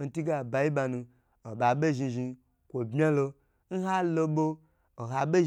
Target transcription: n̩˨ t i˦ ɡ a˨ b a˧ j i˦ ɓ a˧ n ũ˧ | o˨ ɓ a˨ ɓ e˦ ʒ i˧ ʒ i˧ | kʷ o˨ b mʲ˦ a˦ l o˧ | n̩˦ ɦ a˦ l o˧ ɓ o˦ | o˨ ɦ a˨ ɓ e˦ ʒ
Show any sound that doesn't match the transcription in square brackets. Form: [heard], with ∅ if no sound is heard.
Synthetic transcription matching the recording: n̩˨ t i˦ ɡ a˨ b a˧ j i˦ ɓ a˧ n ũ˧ | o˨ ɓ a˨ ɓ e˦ ʒ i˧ ʒ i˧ | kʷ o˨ b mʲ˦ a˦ l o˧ | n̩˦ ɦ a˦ l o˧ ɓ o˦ | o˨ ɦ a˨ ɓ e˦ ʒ